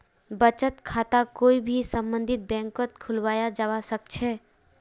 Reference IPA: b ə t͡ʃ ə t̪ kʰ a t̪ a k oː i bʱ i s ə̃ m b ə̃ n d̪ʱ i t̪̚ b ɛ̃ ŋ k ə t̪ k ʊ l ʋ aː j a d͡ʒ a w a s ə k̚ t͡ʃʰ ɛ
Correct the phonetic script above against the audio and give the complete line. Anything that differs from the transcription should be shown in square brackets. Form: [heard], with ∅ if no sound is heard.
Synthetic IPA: b ə t͡ʃ ə t̪ kʰ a t̪ a k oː i bʱ i s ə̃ m b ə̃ n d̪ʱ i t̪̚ b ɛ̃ ŋ k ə t̪ [kʰ] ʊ l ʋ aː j a d͡ʒ a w a s ə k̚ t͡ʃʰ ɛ